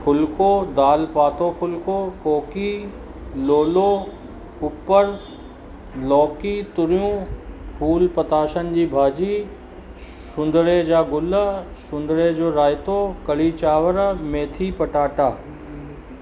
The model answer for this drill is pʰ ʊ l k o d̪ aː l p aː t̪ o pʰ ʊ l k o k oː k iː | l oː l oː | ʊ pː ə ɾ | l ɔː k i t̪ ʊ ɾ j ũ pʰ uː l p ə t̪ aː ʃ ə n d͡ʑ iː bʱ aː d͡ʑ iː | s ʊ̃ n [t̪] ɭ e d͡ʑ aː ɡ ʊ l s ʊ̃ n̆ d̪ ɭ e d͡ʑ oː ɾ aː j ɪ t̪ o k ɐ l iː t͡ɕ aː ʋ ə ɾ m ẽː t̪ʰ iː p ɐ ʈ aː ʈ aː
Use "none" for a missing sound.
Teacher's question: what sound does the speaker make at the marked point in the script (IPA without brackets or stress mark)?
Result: d̪